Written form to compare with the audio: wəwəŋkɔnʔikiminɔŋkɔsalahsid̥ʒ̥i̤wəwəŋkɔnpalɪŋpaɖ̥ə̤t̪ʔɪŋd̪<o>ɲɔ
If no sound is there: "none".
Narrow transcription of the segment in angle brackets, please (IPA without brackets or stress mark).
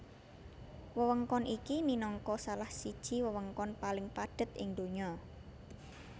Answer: o